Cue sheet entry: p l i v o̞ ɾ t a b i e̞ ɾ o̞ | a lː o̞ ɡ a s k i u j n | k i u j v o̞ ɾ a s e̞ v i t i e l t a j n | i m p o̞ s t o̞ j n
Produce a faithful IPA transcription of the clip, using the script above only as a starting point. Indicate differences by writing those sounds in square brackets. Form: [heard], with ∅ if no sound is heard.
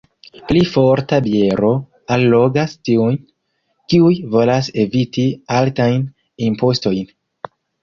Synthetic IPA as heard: p l i [f] o̞ ɾ t a b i e̞ ɾ o̞ | a lː o̞ ɡ a s [t] i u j n | k i u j v o̞ [l] a s e̞ v i t i [a] l t a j n | i m p o̞ s t o̞ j n